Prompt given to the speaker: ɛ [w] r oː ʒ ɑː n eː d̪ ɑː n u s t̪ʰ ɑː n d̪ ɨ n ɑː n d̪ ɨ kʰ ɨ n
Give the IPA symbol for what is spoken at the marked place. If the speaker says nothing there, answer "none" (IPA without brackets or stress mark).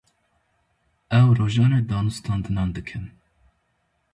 w